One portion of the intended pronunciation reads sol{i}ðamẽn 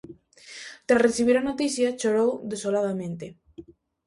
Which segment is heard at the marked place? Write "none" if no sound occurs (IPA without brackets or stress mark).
a